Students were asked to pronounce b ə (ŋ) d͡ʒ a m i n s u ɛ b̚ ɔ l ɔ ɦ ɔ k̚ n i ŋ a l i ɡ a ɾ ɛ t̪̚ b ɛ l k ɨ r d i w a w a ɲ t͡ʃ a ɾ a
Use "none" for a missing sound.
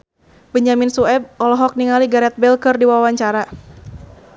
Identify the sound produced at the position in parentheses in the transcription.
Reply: ɲ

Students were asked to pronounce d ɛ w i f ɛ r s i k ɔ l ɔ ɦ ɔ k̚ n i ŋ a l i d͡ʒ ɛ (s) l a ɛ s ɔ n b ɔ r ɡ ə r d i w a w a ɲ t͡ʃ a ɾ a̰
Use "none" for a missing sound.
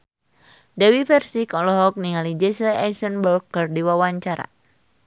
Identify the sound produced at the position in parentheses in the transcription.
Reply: s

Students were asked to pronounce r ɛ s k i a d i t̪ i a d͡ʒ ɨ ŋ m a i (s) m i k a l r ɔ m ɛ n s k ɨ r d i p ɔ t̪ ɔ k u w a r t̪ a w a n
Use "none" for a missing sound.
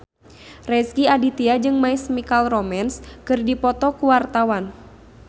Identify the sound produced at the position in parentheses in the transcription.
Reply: s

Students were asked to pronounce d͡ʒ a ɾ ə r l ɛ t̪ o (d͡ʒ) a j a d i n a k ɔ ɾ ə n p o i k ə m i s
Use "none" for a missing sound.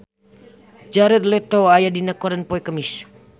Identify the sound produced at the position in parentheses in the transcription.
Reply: none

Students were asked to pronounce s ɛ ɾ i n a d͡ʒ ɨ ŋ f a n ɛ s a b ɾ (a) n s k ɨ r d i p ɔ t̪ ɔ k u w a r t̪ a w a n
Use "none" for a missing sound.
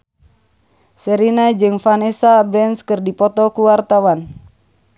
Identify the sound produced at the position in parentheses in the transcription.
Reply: ɛ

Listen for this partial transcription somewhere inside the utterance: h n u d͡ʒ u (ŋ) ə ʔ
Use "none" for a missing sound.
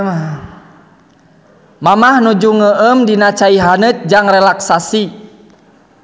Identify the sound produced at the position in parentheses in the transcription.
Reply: ŋ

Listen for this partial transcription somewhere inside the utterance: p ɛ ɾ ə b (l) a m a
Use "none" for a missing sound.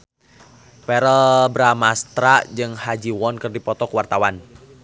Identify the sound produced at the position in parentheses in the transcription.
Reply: ɾ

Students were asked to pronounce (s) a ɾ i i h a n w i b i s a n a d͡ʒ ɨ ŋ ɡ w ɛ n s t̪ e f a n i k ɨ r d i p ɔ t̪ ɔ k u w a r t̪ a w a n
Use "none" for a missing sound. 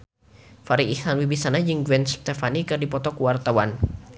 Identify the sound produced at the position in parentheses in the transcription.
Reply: f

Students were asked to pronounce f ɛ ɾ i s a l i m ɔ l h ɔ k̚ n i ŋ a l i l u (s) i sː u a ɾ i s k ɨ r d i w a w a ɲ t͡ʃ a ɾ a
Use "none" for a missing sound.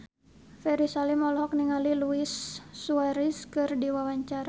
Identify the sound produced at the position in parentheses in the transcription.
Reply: none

